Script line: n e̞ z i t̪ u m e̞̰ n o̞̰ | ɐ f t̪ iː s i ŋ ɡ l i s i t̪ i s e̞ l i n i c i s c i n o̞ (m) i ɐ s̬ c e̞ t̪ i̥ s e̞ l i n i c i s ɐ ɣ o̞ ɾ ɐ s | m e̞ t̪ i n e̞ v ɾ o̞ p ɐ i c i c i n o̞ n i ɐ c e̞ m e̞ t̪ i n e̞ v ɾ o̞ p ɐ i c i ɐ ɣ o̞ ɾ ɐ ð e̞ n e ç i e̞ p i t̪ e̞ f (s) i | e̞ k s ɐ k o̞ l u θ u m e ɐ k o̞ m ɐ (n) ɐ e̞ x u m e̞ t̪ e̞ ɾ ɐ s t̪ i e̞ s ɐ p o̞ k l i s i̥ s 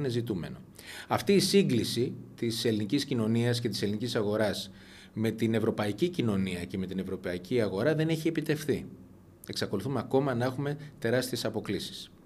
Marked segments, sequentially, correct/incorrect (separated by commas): incorrect, incorrect, correct